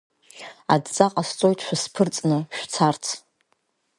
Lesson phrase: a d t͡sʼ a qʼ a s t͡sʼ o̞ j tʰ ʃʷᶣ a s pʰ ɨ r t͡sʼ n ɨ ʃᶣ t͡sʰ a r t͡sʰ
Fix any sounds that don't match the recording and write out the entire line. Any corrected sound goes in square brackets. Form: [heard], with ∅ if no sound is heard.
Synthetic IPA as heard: a d t͡sʼ a qʼ a s t͡sʼ o̞ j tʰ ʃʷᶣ a s pʰ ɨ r t͡sʼ n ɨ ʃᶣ t͡sʰ a r t͡sʰ